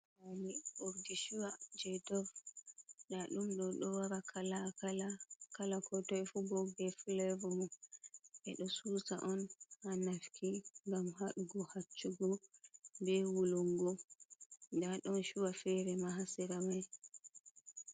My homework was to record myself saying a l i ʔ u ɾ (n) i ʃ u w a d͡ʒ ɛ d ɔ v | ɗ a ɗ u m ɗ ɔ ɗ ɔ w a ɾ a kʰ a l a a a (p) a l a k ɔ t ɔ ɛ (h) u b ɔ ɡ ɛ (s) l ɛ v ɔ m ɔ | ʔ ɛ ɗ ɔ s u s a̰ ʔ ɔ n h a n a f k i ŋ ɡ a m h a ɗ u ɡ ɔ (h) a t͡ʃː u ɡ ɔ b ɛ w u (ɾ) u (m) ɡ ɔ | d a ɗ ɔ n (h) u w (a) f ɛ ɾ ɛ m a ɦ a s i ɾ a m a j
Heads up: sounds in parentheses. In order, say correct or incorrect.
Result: incorrect: d, incorrect: k, incorrect: f, incorrect: f, correct, incorrect: l, incorrect: ŋ, incorrect: ʃ, correct

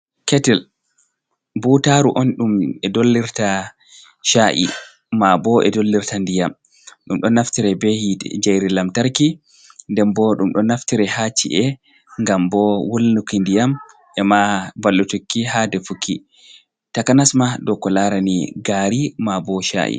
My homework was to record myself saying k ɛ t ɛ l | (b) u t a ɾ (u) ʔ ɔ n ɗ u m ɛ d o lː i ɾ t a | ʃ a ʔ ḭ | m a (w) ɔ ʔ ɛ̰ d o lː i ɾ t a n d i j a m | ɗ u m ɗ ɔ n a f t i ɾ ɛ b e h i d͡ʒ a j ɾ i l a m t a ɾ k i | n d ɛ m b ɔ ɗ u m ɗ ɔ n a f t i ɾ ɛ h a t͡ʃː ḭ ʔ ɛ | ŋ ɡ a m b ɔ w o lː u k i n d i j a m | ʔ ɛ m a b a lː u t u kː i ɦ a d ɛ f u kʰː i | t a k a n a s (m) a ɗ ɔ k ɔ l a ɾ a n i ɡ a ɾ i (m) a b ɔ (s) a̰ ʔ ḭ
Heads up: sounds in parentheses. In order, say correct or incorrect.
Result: correct, correct, incorrect: b, correct, correct, incorrect: ʃ

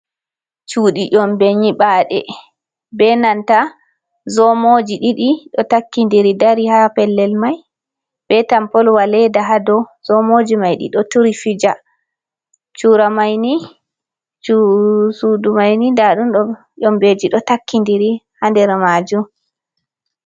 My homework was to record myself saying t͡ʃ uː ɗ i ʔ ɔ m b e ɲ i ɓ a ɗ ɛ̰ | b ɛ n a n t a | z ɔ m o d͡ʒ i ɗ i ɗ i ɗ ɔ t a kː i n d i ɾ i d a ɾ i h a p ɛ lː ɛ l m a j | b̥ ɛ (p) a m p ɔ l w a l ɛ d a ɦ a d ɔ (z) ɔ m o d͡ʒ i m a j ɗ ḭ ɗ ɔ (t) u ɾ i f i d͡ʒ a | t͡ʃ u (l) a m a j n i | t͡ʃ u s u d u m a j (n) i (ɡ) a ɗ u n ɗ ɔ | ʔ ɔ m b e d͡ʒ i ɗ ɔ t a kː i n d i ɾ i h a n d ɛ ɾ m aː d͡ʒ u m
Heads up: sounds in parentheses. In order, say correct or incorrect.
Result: incorrect: t, correct, correct, incorrect: ɾ, correct, incorrect: d

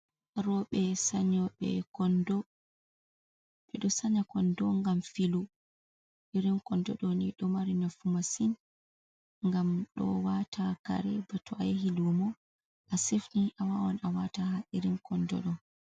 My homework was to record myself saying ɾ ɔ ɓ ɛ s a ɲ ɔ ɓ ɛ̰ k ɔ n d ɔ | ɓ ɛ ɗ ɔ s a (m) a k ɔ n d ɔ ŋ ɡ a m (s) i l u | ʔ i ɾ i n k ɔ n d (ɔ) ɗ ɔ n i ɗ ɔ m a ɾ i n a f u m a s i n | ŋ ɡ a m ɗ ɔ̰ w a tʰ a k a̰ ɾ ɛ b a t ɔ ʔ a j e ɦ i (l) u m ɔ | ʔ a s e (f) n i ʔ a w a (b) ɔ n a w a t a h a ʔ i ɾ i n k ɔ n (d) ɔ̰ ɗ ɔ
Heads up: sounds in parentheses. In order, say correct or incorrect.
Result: incorrect: ɲ, incorrect: f, correct, correct, correct, incorrect: w, correct

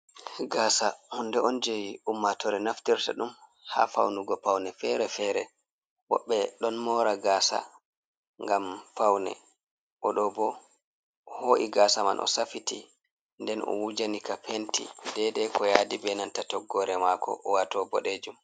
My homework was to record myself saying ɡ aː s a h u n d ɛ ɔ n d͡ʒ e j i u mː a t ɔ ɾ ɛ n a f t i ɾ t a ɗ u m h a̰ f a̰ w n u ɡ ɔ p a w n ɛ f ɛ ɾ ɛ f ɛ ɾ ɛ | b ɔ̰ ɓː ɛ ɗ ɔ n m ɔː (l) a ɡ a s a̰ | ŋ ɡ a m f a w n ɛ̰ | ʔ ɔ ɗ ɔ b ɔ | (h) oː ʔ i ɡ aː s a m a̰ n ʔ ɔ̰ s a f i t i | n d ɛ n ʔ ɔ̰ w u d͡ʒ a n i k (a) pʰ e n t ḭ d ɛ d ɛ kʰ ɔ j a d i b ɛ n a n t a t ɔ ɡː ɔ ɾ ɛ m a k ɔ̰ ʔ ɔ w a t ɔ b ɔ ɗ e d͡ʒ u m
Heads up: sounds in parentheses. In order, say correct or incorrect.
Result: incorrect: ɾ, correct, correct

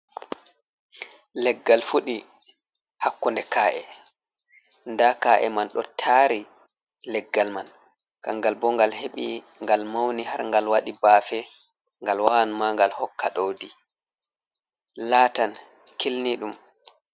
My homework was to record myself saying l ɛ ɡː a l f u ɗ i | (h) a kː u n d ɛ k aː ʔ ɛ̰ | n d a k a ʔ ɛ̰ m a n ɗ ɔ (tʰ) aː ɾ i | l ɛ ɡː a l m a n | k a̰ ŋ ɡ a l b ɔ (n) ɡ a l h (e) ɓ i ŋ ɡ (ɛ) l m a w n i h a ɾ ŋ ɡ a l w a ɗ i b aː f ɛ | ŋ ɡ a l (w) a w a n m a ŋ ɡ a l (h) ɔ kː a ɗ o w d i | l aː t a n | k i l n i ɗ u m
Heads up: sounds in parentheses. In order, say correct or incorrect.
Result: correct, correct, incorrect: ŋ, correct, incorrect: a, correct, correct

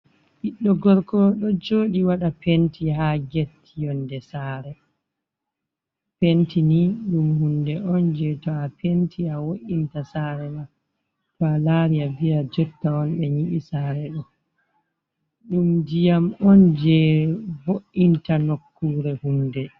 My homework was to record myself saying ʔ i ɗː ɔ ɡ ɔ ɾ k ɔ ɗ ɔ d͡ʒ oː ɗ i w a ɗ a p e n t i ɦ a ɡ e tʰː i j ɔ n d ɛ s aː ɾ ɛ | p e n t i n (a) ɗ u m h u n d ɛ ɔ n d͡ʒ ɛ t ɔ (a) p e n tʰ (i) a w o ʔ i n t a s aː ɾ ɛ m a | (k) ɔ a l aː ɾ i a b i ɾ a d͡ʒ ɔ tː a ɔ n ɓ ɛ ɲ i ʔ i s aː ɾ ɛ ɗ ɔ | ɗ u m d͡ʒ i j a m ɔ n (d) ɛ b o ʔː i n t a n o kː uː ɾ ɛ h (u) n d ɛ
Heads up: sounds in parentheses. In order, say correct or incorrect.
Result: incorrect: i, correct, correct, incorrect: t, incorrect: d͡ʒ, correct

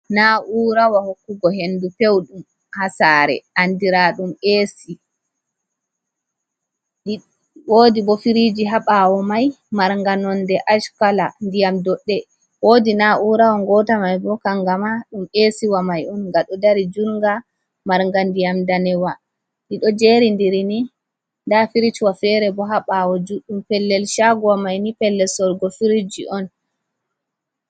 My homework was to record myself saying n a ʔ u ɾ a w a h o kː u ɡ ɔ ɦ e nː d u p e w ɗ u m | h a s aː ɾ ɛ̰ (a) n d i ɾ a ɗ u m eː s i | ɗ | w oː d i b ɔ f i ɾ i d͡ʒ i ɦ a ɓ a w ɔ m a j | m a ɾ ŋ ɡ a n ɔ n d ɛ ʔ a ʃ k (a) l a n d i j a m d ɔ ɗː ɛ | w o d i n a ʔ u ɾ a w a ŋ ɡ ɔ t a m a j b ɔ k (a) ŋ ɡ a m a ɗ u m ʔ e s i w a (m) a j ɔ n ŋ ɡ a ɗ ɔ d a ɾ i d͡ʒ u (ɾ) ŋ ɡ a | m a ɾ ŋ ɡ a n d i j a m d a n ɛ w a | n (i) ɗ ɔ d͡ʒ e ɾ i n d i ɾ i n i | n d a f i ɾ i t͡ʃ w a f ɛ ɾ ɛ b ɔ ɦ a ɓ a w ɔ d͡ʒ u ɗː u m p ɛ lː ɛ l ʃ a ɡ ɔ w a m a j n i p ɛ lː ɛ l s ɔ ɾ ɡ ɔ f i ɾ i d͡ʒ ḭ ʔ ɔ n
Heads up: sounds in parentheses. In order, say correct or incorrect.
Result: correct, correct, correct, correct, correct, correct

